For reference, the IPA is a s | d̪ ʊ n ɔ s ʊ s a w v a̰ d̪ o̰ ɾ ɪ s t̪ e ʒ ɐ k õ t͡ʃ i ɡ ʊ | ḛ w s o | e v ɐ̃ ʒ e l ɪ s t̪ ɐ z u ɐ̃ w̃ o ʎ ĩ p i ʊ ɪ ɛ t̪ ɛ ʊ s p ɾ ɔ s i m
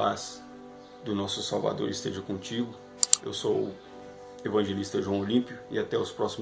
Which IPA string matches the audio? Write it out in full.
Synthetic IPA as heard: a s | d̪ ʊ n ɔ s ʊ s a w v a̰ d̪ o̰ ɾ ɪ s t̪ e ʒ ɐ k õ t͡ʃ i ɡ ʊ | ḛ w s o | e v ɐ̃ ʒ e l i s t̪ ɐ ʒ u ɐ̃ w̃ o l ĩ p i ʊ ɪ a t̪ ɛ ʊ s p ɾ ɔ s i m